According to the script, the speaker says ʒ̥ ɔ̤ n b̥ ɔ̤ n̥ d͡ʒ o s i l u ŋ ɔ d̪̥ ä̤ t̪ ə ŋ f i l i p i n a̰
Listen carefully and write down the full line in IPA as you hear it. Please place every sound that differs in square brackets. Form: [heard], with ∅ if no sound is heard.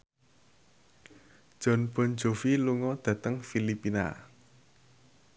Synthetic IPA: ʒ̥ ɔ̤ n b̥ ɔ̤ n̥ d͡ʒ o [f] i l u ŋ ɔ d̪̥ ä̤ t̪ ə ŋ f i l i p i n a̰